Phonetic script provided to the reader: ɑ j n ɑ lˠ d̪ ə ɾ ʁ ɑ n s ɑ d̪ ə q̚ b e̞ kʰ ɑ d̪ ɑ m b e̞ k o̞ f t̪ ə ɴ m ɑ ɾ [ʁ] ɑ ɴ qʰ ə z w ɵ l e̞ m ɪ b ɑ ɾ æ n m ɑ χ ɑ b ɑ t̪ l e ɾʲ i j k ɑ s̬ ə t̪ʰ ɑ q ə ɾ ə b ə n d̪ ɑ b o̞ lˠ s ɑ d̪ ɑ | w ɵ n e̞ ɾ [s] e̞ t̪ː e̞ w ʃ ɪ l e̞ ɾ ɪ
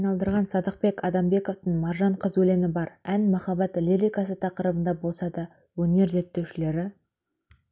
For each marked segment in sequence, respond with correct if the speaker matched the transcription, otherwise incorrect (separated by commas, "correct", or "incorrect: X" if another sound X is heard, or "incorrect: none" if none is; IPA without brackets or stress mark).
incorrect: ʒ, incorrect: z